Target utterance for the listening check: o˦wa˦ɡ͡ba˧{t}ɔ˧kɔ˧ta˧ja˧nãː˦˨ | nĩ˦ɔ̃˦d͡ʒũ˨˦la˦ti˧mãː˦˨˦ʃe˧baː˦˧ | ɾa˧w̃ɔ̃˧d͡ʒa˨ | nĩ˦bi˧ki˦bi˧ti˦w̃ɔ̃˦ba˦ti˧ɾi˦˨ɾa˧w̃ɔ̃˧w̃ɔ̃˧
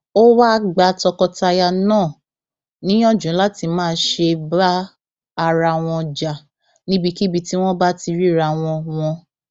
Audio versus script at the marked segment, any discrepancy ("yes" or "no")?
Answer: no